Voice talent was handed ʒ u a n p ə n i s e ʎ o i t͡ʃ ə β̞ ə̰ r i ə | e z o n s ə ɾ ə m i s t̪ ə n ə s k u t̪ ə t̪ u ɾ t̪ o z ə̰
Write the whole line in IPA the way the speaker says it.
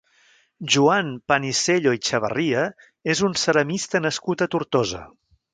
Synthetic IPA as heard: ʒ u a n p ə n i s e ʎ o i t͡ʃ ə β̞ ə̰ r i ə | e z u n s ə ɾ ə m i s t̪ ə n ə s k u t̪ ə t̪ u ɾ t̪ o z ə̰